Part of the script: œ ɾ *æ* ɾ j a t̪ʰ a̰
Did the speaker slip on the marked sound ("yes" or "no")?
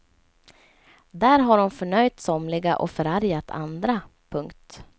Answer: yes